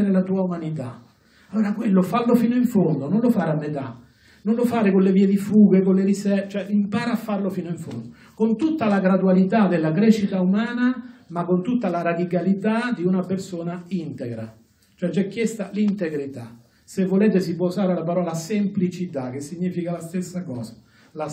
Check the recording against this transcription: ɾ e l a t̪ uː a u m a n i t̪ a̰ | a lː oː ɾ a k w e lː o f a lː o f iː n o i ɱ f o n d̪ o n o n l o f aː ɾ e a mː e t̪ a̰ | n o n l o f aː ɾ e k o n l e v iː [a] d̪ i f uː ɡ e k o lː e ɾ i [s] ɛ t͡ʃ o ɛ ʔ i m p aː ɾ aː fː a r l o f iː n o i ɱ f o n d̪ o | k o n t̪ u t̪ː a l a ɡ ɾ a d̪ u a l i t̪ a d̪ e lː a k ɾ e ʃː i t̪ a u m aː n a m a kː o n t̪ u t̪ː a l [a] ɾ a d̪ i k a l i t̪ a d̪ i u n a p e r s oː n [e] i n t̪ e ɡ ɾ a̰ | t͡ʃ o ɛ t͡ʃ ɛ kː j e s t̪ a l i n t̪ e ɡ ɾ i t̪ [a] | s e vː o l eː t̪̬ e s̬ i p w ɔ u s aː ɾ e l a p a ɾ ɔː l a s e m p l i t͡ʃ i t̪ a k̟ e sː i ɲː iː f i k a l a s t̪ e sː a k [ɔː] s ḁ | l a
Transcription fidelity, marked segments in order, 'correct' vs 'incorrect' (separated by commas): incorrect, correct, correct, incorrect, correct, correct